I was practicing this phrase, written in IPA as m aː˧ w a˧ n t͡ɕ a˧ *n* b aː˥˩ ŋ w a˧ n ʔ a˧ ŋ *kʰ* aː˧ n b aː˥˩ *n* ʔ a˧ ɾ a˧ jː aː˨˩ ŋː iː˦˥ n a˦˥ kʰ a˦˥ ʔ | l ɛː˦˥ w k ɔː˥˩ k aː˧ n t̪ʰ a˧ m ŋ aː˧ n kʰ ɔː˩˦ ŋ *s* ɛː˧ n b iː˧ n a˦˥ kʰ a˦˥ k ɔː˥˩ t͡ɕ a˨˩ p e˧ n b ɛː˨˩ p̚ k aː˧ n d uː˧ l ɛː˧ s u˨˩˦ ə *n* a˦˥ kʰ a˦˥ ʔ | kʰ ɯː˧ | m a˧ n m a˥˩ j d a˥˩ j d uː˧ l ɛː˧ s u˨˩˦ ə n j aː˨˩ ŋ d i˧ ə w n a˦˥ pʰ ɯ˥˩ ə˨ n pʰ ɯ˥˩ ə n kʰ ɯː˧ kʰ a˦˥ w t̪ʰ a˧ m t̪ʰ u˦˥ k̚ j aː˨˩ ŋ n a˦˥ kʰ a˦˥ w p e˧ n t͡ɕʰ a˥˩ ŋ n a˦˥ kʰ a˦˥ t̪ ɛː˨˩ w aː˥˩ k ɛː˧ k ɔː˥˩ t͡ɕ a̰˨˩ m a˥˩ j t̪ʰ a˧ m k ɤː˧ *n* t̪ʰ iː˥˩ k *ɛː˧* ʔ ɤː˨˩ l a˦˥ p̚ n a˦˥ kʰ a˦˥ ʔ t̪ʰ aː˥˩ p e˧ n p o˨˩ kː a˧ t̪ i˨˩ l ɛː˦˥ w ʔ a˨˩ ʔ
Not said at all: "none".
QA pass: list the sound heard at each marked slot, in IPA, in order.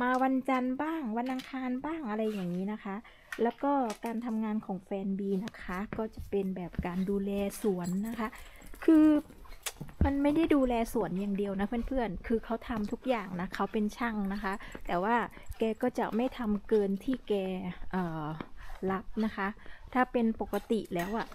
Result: n, kʰ, ŋ, f, nː, n, ɛː˧

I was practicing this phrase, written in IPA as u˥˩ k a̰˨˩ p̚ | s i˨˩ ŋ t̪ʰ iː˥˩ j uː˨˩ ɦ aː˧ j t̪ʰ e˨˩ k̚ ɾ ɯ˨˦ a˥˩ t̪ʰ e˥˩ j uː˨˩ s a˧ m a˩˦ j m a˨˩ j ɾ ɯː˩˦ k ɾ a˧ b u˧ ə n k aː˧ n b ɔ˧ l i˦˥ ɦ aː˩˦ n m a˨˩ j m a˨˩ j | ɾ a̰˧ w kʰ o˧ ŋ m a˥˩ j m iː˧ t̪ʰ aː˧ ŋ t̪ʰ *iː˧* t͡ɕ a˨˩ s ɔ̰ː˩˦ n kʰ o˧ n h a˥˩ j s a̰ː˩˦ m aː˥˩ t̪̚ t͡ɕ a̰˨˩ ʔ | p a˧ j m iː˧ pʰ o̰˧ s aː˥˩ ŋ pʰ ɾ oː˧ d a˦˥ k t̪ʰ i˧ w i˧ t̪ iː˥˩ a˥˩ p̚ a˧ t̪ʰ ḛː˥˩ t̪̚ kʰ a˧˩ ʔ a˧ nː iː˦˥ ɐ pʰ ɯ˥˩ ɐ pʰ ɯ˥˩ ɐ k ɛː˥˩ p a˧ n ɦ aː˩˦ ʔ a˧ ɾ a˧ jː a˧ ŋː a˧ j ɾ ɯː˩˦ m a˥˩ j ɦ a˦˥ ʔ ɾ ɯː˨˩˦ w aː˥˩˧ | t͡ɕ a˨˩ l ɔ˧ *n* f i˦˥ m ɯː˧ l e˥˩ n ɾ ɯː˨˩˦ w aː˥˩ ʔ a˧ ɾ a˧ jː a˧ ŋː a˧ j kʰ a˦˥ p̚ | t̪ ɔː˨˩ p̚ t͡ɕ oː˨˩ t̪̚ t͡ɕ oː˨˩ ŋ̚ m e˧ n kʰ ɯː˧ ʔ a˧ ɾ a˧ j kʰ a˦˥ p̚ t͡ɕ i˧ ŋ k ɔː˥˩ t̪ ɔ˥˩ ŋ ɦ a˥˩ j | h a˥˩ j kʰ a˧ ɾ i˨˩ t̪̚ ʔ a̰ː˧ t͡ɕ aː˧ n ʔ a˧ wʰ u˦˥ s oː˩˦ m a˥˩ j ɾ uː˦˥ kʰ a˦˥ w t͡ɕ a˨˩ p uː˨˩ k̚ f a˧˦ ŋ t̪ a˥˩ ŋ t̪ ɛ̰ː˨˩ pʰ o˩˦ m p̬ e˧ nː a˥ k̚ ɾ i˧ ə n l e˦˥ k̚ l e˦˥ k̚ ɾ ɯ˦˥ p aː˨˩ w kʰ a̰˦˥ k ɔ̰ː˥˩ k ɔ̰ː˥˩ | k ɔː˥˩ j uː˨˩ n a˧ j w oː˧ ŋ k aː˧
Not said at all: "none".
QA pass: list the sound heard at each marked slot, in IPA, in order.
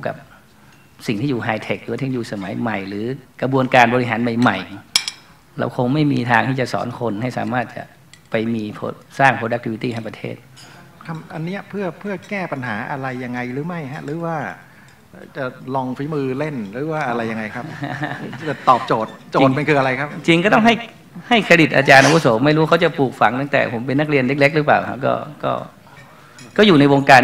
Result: iː˥˩, ŋ

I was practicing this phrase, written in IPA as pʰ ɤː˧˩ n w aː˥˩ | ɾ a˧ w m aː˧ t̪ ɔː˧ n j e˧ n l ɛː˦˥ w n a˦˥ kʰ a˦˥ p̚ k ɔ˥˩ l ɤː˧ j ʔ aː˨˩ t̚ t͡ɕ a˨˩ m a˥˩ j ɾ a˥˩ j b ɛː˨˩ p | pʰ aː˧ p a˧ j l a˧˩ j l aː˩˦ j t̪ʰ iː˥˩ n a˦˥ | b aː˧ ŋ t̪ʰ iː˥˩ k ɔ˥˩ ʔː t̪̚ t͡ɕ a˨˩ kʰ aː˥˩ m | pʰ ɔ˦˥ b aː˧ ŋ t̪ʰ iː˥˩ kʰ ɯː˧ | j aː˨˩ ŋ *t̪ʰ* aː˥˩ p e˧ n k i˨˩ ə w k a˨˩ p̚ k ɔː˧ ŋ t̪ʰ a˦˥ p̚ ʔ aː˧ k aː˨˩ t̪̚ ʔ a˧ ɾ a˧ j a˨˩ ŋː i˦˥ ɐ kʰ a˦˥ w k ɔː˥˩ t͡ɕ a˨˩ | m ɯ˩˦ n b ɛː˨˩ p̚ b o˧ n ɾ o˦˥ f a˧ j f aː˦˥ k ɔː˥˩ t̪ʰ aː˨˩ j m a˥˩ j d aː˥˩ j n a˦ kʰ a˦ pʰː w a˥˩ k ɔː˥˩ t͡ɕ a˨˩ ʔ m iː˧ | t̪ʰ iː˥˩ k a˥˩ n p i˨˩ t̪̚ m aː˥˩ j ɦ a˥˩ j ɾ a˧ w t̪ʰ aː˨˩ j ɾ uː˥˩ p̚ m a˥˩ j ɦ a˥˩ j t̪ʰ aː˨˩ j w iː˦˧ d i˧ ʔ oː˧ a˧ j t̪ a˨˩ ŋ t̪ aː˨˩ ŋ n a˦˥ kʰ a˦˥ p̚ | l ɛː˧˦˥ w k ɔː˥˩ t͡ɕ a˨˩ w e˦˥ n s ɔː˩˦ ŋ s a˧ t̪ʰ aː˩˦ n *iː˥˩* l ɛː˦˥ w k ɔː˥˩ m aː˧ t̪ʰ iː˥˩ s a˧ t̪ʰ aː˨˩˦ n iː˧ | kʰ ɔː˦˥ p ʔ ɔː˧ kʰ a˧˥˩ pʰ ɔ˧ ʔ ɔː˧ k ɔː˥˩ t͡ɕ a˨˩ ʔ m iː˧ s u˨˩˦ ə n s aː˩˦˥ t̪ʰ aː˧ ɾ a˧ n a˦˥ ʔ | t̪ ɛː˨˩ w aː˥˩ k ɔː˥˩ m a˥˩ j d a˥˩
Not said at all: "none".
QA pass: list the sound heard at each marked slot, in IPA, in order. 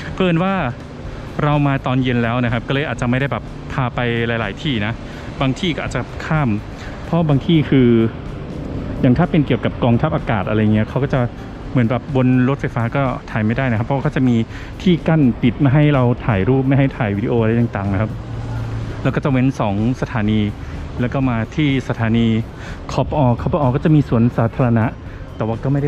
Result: t̪ʰ, iː˧

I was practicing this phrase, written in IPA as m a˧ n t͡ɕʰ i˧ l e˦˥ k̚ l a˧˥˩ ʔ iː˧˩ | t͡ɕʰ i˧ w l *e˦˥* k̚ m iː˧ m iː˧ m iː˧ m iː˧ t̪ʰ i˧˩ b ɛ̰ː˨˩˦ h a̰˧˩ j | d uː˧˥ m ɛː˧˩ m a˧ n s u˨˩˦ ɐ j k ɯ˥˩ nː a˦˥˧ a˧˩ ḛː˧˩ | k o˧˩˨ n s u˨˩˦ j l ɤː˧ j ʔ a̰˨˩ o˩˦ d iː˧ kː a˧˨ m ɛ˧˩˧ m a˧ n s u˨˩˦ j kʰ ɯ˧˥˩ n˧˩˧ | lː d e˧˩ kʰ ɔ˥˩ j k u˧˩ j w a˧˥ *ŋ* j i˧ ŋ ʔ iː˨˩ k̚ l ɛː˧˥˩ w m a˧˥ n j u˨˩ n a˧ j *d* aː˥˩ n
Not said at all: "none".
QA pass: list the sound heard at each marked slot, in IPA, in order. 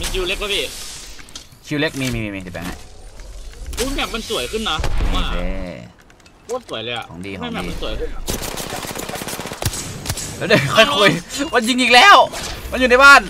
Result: e˦˥, n, b

